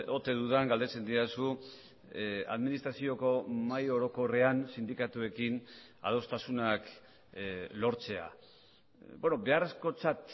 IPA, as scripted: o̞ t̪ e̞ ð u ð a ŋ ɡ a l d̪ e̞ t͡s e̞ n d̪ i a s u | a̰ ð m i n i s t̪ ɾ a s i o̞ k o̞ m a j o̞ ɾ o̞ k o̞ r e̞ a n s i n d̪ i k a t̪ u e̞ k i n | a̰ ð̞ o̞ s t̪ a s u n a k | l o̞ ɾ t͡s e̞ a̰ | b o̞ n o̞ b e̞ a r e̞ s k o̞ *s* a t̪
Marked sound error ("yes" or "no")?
yes